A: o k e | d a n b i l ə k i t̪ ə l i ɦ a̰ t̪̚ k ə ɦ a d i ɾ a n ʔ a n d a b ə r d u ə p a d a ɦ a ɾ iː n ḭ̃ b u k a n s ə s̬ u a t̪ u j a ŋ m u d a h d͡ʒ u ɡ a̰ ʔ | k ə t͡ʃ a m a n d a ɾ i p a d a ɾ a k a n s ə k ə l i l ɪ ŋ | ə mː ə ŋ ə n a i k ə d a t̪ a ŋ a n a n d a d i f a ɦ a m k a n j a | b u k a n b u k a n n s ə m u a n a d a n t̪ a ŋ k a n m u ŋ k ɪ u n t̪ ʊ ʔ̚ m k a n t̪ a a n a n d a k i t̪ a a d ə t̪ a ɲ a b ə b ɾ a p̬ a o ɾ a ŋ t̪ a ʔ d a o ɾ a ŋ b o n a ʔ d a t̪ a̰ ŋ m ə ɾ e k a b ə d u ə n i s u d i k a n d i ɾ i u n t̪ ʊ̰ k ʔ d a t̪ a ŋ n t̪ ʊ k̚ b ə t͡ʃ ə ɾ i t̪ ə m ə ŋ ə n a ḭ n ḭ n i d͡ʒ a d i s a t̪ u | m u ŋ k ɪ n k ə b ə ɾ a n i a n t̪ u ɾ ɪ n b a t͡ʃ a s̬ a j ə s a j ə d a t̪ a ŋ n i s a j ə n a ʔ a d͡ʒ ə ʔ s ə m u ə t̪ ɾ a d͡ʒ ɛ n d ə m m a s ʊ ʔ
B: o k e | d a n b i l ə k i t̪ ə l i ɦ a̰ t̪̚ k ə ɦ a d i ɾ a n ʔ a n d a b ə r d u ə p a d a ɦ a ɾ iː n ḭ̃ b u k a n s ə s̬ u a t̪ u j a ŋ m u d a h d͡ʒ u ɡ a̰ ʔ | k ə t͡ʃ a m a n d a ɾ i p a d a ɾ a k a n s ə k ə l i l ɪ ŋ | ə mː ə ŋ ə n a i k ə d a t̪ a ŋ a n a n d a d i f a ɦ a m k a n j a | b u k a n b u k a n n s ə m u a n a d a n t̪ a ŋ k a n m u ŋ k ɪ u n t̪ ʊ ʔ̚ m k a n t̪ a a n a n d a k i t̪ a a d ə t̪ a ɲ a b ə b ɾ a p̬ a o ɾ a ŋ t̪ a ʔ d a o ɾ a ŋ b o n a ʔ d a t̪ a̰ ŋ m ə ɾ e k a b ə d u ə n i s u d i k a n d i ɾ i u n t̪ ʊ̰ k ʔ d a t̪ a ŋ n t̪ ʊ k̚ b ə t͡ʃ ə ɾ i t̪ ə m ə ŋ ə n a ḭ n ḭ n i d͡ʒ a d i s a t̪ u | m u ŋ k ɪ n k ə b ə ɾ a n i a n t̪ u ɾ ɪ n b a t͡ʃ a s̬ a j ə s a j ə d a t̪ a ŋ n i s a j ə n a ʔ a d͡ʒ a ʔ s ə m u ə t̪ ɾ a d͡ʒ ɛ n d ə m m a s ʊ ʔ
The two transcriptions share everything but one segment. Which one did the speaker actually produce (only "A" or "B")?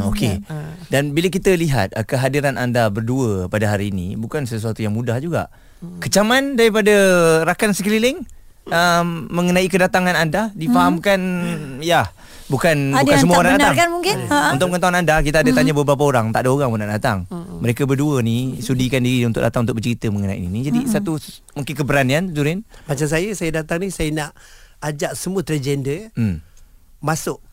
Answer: B